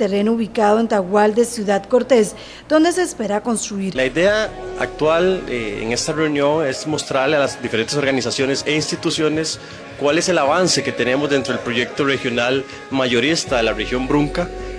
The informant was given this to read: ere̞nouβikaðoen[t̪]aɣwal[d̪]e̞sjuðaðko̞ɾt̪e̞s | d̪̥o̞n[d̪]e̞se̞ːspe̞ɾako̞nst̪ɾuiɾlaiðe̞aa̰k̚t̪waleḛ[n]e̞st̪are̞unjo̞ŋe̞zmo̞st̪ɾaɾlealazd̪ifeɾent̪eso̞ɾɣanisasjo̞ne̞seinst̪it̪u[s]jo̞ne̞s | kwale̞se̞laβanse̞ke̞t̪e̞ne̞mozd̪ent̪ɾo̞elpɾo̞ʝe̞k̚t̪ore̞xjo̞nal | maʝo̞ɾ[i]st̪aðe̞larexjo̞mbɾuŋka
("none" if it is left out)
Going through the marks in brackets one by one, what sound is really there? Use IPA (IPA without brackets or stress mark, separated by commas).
t̪, d̪, d̪, ŋ, s, i